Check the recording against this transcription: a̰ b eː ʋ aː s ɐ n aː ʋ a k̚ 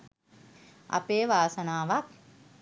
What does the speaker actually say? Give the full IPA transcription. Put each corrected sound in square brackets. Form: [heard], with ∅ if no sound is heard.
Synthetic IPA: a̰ [p] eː ʋ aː s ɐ n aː ʋ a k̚